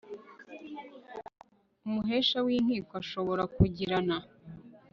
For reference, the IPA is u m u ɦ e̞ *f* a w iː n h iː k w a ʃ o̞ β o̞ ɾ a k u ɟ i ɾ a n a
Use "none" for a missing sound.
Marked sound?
ʃ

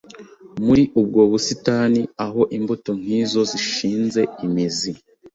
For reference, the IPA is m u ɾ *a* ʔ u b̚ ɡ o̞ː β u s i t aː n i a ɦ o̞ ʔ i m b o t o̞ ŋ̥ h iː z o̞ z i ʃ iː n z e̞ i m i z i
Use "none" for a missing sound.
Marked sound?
i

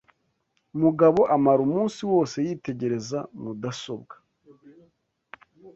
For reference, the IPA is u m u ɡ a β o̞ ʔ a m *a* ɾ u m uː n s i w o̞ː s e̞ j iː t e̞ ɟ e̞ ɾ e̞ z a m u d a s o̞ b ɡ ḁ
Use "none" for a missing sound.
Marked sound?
a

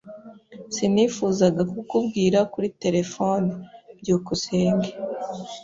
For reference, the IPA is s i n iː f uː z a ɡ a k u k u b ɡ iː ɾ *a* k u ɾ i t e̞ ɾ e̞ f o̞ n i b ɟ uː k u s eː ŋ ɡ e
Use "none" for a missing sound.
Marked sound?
a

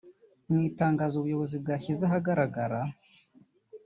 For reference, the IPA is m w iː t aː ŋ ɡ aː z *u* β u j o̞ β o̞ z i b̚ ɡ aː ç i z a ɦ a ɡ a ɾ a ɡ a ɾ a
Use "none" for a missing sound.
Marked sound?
u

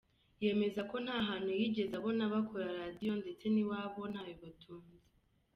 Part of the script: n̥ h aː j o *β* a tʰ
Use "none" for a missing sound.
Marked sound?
β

